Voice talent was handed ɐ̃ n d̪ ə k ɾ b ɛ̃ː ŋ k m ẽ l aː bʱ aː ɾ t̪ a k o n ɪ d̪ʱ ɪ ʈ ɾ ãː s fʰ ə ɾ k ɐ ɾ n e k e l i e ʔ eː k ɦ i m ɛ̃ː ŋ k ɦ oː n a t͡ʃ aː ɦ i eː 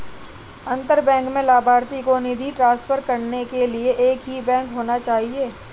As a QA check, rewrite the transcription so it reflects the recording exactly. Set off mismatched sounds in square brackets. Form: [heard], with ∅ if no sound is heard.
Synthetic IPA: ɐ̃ n [t̪] ə [∅] ɾ b ɛ̃ː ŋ k m ẽ l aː bʱ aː ɾ t̪ [i] k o n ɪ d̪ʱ [i] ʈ ɾ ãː s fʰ ə ɾ k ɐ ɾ n e k e l i e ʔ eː k ɦ i [b] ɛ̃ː ŋ k ɦ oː n a t͡ʃ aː ɦ i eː